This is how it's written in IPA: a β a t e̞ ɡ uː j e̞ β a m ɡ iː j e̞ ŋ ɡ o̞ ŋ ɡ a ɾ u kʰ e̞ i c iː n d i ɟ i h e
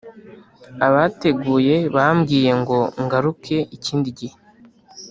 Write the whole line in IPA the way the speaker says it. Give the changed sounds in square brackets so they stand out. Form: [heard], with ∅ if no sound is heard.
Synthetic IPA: a β a t e̞ ɡ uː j e̞ β a m ɡ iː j e̞ ŋ ɡ o̞ ŋ ɡ a ɾ u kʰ e̞ i c iː n d i ɟ i h e